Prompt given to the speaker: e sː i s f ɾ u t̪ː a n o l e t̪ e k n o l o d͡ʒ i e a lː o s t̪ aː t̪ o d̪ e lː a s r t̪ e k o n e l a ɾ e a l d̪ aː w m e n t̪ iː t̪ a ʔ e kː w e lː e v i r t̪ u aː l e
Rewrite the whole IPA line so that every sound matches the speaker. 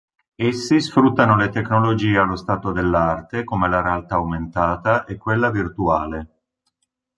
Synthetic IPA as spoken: e sː i s f ɾ u t̪ː a n o l e t̪ e k n o l o d͡ʒ iː e a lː o s t̪ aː t̪ o d̪ e lː a r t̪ e k o m e l a ɾ e a l t̪ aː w m e n t̪ aː t̪ a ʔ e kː w e lː a v i r t̪ u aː l e